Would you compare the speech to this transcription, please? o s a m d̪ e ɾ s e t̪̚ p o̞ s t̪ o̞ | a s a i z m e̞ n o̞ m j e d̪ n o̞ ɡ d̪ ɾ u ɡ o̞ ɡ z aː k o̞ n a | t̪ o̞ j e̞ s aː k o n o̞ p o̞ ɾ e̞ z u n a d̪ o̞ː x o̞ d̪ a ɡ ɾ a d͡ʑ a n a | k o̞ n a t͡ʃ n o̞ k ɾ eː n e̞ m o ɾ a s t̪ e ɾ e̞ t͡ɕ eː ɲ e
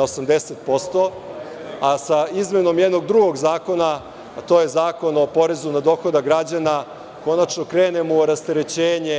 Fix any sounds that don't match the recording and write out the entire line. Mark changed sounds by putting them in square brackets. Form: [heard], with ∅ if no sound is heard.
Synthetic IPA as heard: o s a m d̪ e [∅] s e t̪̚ p o̞ s t̪ o̞ | a s a i z m e̞ n o̞ m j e d̪ n o̞ ɡ d̪ ɾ u ɡ o̞ ɡ z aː k o̞ n a | t̪ o̞ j e̞ [z] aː k o n o̞ p o̞ ɾ e̞ z u n a d̪ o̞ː x o̞ d̪ a ɡ ɾ a d͡ʑ a n a | k o̞ n a t͡ʃ n o̞ k ɾ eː n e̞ m o ɾ a s t̪ e ɾ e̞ t͡ɕ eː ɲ e